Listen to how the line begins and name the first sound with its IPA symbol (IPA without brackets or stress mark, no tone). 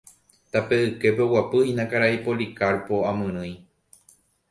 t̪